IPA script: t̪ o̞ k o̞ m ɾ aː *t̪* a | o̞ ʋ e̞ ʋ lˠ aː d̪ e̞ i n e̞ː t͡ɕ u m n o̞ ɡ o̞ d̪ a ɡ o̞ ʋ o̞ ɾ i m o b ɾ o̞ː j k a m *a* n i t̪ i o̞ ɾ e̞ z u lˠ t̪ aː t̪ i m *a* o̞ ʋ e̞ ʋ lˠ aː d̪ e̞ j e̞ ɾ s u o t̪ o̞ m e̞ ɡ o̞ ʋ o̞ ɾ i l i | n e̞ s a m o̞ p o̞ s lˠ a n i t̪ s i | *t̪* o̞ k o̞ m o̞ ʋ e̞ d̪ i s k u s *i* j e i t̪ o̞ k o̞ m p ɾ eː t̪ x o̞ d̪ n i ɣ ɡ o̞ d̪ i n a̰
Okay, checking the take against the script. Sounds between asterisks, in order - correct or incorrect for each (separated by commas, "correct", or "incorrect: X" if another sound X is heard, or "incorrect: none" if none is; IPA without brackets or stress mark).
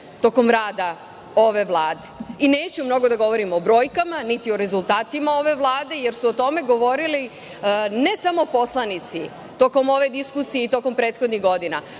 incorrect: d̪, correct, correct, correct, correct